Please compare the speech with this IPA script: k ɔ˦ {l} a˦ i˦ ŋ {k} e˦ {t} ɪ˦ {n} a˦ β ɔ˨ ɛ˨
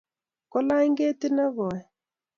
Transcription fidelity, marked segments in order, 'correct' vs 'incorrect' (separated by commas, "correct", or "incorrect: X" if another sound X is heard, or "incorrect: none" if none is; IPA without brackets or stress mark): correct, incorrect: ɡ, correct, correct